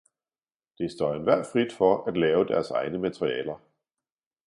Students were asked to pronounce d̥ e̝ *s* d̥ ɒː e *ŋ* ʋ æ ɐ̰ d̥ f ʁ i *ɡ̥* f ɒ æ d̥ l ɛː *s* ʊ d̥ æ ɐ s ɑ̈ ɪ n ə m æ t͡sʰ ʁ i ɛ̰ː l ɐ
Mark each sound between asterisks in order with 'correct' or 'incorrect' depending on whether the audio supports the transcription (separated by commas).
correct, incorrect, incorrect, incorrect